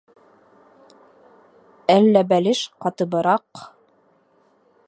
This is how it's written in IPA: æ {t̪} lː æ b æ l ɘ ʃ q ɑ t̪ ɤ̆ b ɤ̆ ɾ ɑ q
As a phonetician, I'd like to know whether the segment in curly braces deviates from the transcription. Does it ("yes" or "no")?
yes